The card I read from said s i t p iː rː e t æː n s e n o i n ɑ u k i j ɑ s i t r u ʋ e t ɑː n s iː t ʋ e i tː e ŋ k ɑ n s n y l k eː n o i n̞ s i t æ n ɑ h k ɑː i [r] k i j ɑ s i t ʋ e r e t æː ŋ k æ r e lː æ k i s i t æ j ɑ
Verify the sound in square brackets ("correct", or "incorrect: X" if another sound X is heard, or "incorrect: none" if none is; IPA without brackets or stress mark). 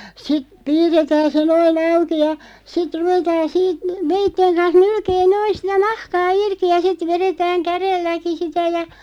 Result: correct